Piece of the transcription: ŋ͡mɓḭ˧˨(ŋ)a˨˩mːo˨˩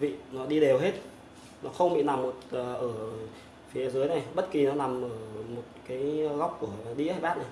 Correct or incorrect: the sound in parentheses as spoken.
incorrect: n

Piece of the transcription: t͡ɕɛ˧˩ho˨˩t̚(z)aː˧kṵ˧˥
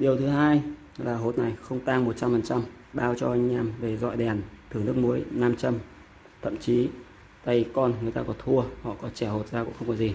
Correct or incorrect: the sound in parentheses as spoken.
correct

